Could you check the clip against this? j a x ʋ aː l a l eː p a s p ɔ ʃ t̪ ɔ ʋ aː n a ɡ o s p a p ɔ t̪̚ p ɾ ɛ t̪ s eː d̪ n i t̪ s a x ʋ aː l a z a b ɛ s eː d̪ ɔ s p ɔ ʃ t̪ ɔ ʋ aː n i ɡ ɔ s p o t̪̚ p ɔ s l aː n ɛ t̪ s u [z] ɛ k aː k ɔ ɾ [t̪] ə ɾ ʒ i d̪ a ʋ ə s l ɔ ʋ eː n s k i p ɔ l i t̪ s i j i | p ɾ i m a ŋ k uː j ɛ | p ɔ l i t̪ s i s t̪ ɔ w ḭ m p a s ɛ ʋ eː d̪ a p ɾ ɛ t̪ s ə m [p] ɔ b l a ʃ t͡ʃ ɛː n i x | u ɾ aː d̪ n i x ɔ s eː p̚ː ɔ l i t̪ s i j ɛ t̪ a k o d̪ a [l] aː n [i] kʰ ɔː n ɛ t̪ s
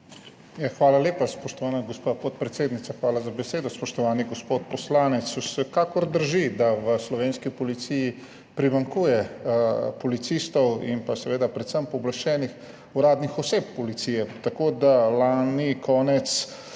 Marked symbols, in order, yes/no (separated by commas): no, no, yes, yes, yes